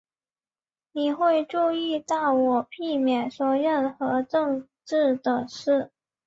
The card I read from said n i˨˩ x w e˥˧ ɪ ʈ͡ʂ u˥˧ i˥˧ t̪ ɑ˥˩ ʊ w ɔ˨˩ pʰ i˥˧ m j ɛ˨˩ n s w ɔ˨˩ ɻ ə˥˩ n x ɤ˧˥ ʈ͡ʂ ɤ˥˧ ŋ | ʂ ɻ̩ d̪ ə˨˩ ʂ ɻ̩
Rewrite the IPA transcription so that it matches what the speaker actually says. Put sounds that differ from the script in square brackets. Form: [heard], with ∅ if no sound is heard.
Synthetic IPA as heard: n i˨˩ x w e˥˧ ɪ ʈ͡ʂ u˥˧ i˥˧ t̪ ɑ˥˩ ʊ w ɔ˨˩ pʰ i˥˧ m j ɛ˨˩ n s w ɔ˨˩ ɻ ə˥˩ n x ɤ˧˥ ʈ͡ʂ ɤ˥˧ ŋ | [ʈ͡ʂ] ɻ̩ d̪ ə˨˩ ʂ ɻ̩